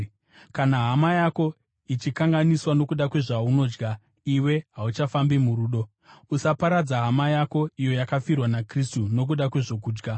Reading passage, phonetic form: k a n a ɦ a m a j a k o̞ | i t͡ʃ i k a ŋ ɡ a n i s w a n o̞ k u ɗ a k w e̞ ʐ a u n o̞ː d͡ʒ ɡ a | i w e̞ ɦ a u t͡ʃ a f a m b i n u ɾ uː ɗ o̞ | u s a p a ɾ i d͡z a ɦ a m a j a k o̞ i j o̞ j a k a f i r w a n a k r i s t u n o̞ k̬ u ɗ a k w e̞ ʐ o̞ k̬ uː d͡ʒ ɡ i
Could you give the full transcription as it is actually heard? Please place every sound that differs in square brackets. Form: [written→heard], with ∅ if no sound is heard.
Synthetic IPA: k a n a ɦ a m a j a k o̞ | i t͡ʃ i k a ŋ ɡ a n i s w a n o̞ k u ɗ a k w e̞ ʐ a u n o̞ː d͡ʒ ɡ a | i w e̞ ɦ a u t͡ʃ a f a m b i [n→m] u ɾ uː ɗ o̞ | u s a p a ɾ [i→a] d͡z a ɦ a m a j a k o̞ i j o̞ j a k a f i r w a n a k r i s t u n o̞ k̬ u ɗ a k w e̞ ʐ o̞ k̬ uː d͡ʒ ɡ [i→a]

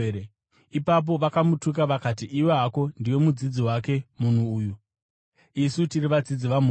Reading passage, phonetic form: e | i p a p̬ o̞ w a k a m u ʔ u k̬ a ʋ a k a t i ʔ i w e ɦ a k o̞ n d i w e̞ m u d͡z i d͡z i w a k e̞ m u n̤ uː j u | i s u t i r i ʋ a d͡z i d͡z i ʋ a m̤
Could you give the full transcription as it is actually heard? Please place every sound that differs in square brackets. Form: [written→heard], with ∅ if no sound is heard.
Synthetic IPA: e | i p a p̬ o̞ [w→ʋ] a k a m u [ʔ→t] u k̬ a ʋ a k a t i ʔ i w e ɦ a k o̞ n d i w e̞ m u d͡z i d͡z i w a k e̞ m u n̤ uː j u | i s u t i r i ʋ a d͡z i d͡z i ʋ a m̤

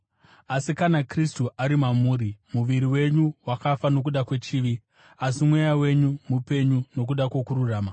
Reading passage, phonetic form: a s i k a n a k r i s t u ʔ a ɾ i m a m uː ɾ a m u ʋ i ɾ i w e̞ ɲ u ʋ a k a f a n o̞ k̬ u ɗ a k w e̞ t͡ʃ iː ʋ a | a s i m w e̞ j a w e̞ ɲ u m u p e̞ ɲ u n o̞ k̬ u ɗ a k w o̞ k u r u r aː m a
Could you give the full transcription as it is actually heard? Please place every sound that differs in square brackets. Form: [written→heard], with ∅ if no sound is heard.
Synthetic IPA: a s i k a n a k r i s t u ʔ a ɾ i m a m uː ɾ [a→i] m u ʋ i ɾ i w e̞ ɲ u [ʋ→w] a k a f a n o̞ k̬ u ɗ a k w e̞ t͡ʃ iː ʋ [a→i] | a s i m w e̞ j a w e̞ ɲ u m u p e̞ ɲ u n o̞ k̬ u ɗ a k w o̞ k u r u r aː m a

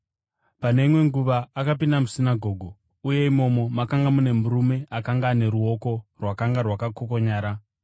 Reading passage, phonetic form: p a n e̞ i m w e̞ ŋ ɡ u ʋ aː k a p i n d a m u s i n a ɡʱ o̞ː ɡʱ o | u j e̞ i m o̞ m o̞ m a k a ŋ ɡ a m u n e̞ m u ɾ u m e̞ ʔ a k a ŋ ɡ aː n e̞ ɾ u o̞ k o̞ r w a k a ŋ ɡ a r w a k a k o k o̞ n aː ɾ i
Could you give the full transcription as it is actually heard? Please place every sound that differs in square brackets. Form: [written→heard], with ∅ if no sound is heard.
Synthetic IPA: p a n e̞ i m w e̞ ŋ ɡ u ʋ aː k a p i n d a m u s i n a ɡʱ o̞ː ɡʱ o | u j e̞ i m o̞ m o̞ m a k a ŋ ɡ a m u n e̞ m u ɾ u m e̞ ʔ a k a ŋ ɡ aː n e̞ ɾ u o̞ k o̞ r w a k a ŋ ɡ a r w a k a k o k o̞ [n→ɲ] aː ɾ [i→a]

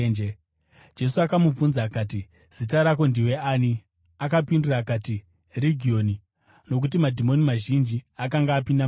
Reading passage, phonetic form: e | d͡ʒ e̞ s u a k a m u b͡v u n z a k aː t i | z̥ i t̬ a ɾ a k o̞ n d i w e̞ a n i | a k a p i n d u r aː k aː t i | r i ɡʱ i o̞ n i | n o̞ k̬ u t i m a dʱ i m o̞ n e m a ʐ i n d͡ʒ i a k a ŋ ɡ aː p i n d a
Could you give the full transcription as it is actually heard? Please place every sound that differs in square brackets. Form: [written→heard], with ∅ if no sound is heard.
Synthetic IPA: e | d͡ʒ e̞ s u a k a m u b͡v u n z a k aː t i | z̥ i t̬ a ɾ a k o̞ n d i w e̞ a n i | a k a p i n d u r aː k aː t i | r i ɡʱ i o̞ n i | n o̞ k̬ u t i m a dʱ i m o̞ n [e→i] m a [ʐ→ʒ] i n d͡ʒ i a k a ŋ ɡ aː p i n d a

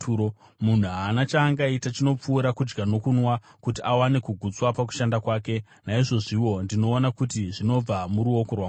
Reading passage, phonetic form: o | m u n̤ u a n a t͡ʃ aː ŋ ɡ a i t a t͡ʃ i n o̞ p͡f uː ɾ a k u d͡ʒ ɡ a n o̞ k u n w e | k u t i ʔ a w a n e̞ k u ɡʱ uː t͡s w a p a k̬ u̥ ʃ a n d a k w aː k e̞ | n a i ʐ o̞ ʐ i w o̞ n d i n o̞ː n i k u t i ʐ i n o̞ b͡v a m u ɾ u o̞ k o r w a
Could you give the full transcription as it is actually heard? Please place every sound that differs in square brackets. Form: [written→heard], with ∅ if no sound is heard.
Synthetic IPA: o | m u n̤ u a n a t͡ʃ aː ŋ ɡ a i t a t͡ʃ i n o̞ p͡f uː ɾ a k u d͡ʒ ɡ a n o̞ k u n w [e→a] | k u t i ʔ a w a n e̞ k u ɡʱ [uː→u] t͡s w a p a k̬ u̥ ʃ a n d a k w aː k e̞ | n a i ʐ o̞ ʐ i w o̞ n d i n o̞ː n [i→a] k u t i ʐ i n o̞ b͡v a m u ɾ u o̞ k o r w a

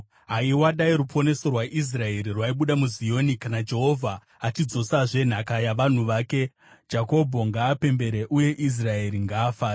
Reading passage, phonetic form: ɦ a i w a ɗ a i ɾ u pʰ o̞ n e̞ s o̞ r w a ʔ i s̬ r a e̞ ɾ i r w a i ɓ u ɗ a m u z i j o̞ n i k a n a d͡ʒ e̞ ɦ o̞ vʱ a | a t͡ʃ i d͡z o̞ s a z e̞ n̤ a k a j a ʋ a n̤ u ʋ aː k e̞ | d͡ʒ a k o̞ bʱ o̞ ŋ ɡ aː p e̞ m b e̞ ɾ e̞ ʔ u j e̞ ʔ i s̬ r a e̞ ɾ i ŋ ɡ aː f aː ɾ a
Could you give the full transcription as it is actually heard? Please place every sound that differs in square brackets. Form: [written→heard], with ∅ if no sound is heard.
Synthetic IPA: ɦ a i w a ɗ a i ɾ u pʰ o̞ n e̞ s o̞ r w a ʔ i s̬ r a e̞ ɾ i r w a i ɓ u ɗ a m u z i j o̞ n i k a n a d͡ʒ e̞ ɦ o̞ vʱ a | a t͡ʃ i d͡z o̞ s a [z→ʐ] e̞ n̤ a k a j a ʋ a n̤ u ʋ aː k e̞ | d͡ʒ a k o̞ bʱ o̞ ŋ ɡ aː p e̞ m b e̞ ɾ e̞ ʔ u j e̞ ʔ i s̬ r a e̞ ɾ i ŋ ɡ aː f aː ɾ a

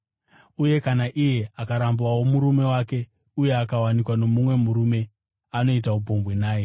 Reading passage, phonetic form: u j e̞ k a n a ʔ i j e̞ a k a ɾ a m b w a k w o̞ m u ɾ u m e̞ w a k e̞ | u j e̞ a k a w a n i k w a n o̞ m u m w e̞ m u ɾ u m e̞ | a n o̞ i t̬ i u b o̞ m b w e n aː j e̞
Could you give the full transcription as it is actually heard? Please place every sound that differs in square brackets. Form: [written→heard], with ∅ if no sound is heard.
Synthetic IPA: u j e̞ k a n a ʔ i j e̞ a k a ɾ a m b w a [k→∅] w o̞ m u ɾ u m e̞ w a k e̞ | u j e̞ a k a w a n i k w a n o̞ m u m w e̞ m u ɾ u m e̞ | a n o̞ i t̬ [i→a] u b o̞ m b w e n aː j e̞

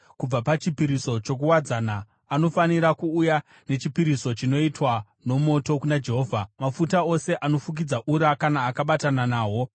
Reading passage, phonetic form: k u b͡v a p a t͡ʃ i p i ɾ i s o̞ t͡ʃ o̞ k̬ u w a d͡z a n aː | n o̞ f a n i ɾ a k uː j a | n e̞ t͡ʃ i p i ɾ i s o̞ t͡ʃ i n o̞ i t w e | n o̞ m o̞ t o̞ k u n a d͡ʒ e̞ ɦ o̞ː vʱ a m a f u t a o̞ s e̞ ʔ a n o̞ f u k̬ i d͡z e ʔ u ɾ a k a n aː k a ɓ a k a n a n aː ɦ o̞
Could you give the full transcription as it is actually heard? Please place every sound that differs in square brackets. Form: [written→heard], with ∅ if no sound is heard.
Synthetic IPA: k u b͡v a p a t͡ʃ i p i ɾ i s o̞ t͡ʃ o̞ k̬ u w a d͡z a n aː | n o̞ f a n i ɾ a k uː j a | n e̞ t͡ʃ i p i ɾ i s o̞ t͡ʃ i n o̞ i t w [e→a] | n o̞ m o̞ t o̞ k u n a d͡ʒ e̞ ɦ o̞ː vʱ a m a f u t a o̞ s e̞ ʔ a n o̞ f u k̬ i d͡z [e→a] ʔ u ɾ a k a n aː k a ɓ a [k→t] a n a n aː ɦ o̞

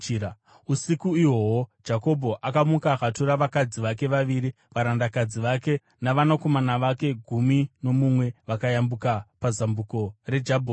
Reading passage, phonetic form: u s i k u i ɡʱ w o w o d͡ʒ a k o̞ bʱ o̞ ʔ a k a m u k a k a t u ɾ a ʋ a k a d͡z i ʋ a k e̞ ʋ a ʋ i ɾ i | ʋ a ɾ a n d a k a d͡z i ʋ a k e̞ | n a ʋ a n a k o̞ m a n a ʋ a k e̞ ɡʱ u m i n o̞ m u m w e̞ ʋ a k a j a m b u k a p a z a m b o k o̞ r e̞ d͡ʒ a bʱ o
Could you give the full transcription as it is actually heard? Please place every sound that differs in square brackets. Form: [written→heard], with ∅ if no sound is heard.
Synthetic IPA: u s i k u i [ɡʱ→∅] w o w o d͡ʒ a k o̞ bʱ o̞ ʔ a k a m u k a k a t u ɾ a ʋ a k a d͡z i ʋ a k e̞ ʋ a ʋ i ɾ i | ʋ a ɾ a n d a k a d͡z i ʋ a k e̞ | n a ʋ a n a k o̞ m a n a ʋ a k e̞ ɡʱ u m i n o̞ m u m w e̞ ʋ a k a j a m b u k a p a z a m b [o→u] k o̞ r e̞ d͡ʒ a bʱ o

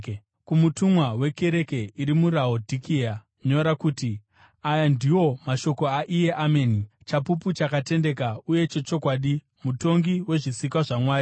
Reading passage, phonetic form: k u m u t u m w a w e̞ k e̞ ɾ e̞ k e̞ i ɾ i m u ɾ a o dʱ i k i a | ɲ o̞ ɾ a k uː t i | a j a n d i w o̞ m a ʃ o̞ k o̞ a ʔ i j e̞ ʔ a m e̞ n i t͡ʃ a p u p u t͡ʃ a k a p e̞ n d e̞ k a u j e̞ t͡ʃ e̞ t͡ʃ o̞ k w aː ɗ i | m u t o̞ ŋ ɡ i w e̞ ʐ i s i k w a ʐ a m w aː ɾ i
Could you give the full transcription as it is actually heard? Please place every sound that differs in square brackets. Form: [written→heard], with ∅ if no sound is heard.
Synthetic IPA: k u m u t u m w a w e̞ k e̞ ɾ e̞ k e̞ i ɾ i m u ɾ a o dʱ i k i a | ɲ o̞ ɾ a k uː t i | a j a n d i w o̞ m a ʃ o̞ k o̞ a ʔ i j e̞ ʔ a m e̞ n i t͡ʃ a p u p u t͡ʃ a k a [p→t] e̞ n d e̞ k a u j e̞ t͡ʃ e̞ t͡ʃ o̞ k w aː ɗ i | m u t o̞ ŋ ɡ i w e̞ ʐ i s i k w a ʐ a m w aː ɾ i

